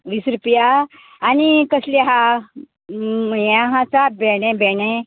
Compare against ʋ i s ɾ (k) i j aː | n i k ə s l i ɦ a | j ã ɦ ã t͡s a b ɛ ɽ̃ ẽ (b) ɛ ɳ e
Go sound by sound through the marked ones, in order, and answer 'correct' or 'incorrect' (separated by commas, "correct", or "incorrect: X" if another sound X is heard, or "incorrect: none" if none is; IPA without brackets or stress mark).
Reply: incorrect: p, correct